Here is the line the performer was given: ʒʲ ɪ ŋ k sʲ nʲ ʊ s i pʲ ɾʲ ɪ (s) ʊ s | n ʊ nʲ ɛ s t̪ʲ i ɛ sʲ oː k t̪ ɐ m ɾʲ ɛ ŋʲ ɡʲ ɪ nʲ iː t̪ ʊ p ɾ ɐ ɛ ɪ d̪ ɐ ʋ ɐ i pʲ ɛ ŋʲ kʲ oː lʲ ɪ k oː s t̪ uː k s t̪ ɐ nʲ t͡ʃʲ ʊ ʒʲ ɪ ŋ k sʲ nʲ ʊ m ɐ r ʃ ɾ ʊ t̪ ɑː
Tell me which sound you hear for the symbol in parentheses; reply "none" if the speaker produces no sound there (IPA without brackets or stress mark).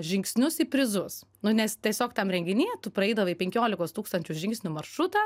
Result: z